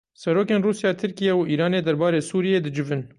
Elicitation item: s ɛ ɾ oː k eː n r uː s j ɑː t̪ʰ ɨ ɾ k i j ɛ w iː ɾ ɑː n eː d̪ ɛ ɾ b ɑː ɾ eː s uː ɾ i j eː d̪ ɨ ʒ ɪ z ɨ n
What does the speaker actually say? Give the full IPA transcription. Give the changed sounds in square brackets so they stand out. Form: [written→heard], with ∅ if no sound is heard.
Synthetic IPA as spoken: s ɛ ɾ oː k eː n r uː s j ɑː t̪ʰ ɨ ɾ k i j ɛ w iː ɾ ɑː n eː d̪ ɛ ɾ b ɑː ɾ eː s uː ɾ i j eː d̪ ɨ [ʒ→d͡ʒ] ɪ [z→v] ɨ n